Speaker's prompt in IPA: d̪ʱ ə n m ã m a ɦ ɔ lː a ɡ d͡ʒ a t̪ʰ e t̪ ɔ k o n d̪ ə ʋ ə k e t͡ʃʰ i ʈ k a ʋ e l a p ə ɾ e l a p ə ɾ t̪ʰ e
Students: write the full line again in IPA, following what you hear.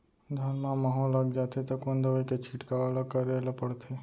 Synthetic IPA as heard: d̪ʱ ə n m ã m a ɦ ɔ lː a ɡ d͡ʒ a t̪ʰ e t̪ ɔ k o n d̪ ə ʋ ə k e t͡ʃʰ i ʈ k a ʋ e l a k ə ɾ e l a p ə ɽ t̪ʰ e